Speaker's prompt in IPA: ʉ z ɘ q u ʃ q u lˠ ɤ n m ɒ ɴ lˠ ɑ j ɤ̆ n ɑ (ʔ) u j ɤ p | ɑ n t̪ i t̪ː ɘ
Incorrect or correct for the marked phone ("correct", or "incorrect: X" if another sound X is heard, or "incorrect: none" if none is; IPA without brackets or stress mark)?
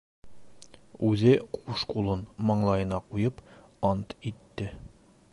incorrect: q